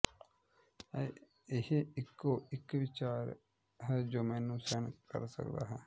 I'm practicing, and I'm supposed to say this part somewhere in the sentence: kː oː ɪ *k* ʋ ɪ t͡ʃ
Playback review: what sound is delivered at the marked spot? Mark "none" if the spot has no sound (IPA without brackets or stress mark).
k